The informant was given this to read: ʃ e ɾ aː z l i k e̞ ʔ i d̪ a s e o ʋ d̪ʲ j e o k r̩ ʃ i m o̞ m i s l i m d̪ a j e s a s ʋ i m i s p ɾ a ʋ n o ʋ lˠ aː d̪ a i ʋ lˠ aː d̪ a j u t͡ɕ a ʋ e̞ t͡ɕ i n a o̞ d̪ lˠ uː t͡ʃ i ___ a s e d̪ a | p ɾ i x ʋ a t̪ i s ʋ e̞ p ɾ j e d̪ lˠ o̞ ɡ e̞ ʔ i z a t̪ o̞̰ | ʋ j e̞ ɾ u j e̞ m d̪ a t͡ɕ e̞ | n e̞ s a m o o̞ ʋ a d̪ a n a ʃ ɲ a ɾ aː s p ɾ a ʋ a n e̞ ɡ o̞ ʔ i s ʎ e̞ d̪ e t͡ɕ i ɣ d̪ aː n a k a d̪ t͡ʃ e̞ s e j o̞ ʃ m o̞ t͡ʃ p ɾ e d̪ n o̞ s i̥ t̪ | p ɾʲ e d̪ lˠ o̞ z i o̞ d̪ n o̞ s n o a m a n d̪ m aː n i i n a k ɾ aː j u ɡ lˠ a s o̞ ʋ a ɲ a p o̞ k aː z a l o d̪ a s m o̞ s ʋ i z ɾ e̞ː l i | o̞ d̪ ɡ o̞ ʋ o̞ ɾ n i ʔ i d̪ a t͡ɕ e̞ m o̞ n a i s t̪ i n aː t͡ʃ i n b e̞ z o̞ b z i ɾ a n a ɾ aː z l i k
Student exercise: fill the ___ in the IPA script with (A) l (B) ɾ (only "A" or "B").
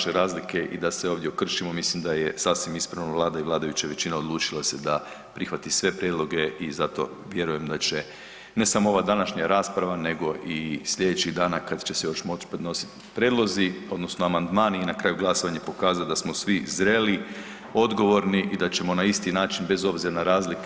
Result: A